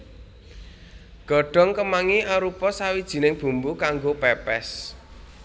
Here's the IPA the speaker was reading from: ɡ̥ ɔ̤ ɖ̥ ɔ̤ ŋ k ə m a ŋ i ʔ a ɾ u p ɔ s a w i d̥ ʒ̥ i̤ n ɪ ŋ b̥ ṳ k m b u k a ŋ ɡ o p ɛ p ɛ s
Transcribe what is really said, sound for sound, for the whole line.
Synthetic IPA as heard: ɡ̥ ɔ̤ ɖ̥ ɔ̤ ŋ k ə m a ŋ i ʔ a ɾ u p ɔ s a w i d̥ ʒ̥ i̤ n ɪ ŋ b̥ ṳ m b u k a ŋ ɡ o p ɛ p ɛ s